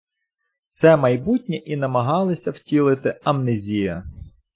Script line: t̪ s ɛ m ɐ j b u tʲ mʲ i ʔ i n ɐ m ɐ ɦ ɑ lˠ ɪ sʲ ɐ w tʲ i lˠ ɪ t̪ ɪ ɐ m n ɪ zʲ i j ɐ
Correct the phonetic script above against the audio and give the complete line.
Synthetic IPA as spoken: t̪ s ɛ m ɐ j b u tʲ nʲ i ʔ i n ɐ m ɐ ɦ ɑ lˠ ɪ sʲ ɐ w tʲ i lˠ ɪ t̪ ɪ ɐ m n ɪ zʲ i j ɐ